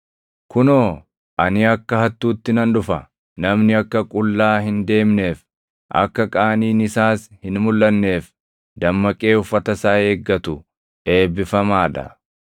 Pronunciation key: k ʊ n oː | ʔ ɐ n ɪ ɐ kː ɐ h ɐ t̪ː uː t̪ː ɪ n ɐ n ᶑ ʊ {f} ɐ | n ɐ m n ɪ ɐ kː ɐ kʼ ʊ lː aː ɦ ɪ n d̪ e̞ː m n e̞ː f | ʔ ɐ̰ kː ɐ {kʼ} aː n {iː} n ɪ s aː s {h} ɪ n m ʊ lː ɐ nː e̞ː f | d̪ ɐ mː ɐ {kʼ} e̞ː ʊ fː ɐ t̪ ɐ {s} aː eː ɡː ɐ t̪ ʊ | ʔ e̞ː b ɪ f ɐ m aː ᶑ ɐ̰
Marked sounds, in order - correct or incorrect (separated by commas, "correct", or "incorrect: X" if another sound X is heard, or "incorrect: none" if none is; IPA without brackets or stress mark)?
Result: correct, correct, correct, correct, correct, correct